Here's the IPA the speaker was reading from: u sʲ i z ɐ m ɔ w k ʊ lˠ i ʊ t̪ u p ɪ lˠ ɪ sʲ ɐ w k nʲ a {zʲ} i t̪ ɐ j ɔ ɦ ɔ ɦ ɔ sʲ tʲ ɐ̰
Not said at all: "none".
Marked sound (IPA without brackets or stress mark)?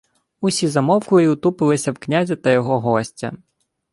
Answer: zʲ